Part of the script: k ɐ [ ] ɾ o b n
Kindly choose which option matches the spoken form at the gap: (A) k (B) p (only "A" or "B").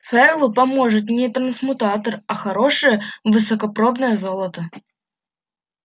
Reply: B